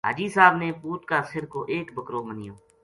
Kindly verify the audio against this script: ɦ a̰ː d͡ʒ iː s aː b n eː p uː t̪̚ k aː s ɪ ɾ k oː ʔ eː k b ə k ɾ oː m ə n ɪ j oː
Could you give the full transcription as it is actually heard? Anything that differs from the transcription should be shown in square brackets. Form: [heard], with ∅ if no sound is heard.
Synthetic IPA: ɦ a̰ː d͡ʒ iː s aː b n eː p uː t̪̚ k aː s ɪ ɾ k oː ʔ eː k b ə k ɾ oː m ə n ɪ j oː